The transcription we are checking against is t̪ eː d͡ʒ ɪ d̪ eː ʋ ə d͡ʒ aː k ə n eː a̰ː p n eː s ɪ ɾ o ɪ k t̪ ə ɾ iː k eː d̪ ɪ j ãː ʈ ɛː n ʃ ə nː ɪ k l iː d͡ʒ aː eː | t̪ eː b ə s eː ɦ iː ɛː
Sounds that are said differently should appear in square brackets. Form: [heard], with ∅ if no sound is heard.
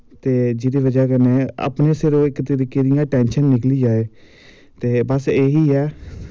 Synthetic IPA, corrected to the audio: t̪ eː d͡ʒ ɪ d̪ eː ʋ ə d͡ʒ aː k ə n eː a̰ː p n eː s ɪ ɾ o ɪ k t̪ ə ɾ iː k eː d̪ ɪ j ãː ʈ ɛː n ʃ ə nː ɪ k l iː d͡ʒ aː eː | t̪ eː b ə s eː ɦ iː ɛː